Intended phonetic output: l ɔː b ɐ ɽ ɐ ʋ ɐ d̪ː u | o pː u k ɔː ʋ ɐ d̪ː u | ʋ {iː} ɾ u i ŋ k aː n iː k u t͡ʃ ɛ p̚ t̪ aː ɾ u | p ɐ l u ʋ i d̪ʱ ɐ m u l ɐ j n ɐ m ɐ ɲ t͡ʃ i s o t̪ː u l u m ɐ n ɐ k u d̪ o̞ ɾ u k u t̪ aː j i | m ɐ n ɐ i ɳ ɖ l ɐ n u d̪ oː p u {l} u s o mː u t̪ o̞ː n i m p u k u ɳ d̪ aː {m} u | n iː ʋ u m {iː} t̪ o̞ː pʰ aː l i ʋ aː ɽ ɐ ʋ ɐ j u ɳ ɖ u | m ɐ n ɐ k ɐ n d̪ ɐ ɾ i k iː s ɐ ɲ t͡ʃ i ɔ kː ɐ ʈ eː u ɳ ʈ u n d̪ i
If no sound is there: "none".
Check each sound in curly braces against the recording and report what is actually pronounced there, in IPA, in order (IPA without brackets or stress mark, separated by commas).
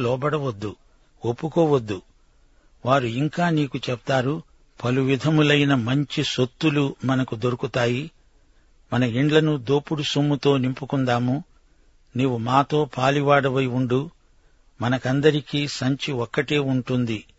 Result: aː, ɽ, m, aː